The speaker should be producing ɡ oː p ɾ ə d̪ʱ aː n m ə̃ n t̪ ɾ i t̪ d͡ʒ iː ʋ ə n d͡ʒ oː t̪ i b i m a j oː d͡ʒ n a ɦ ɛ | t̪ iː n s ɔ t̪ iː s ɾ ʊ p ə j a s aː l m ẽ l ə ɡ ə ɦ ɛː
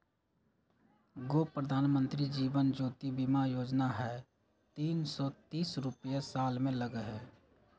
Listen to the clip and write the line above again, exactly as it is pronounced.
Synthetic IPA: ɡ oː p ɾ ə d̪ʱ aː n m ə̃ n t̪ ɾ i d͡ʒ iː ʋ ə n d͡ʒ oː t̪ i b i m a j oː d͡ʒ n a ɦ ɛ | t̪ iː n s ɔ t̪ iː s ɾ ʊ p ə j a s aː l m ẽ l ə ɡ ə ɦ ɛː